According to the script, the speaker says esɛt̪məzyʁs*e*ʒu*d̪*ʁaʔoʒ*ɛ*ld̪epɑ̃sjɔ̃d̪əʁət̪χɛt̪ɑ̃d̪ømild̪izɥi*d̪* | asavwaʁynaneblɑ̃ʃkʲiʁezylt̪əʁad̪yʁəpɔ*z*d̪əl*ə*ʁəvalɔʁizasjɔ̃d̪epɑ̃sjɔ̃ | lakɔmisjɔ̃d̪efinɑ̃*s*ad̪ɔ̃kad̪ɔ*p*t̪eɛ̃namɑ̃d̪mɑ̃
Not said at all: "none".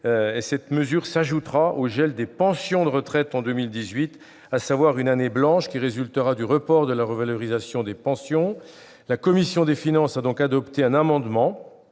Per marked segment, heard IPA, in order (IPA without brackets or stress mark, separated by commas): a, t̪, ɛ, t̪, ʁ, a, s, p